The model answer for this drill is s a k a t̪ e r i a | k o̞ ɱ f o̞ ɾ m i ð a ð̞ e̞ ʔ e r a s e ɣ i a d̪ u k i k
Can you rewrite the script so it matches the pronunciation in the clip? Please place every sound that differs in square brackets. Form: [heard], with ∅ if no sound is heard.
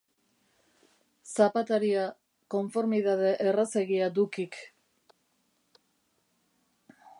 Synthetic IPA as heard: s a [p] a t̪ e [ɾ] i a | k o̞ ɱ f o̞ ɾ m i ð a ð̞ e̞ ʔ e r a s e ɣ i a d̪ u k i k